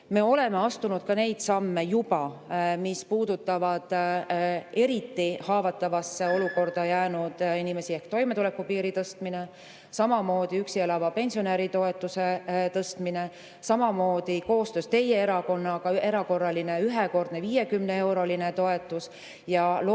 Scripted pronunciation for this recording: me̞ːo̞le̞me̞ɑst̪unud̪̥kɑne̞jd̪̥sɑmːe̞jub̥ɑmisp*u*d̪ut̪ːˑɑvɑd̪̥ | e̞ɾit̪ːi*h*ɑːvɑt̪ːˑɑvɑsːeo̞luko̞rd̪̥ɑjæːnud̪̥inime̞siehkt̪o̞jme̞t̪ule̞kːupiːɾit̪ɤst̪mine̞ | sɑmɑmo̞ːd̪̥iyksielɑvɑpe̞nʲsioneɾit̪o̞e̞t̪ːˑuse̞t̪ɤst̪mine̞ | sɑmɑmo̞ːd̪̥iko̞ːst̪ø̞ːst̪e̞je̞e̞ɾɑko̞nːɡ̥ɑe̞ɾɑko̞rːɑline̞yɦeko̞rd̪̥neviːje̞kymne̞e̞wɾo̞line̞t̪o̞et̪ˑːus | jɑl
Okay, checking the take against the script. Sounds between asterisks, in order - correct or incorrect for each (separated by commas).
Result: incorrect, correct